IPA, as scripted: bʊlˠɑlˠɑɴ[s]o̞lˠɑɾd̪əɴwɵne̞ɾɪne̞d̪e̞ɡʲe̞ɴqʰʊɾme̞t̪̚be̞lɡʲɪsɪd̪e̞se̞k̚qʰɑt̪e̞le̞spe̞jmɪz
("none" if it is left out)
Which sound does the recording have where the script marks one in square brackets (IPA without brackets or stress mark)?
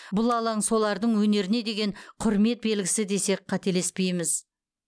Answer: s